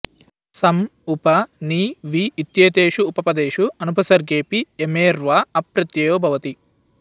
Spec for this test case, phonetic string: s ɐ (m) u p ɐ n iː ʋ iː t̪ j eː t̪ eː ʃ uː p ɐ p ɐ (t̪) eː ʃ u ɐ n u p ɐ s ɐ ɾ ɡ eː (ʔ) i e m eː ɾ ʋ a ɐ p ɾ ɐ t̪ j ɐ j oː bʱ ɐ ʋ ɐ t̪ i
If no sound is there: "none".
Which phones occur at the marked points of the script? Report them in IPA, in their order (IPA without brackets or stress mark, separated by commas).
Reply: m, d̪, p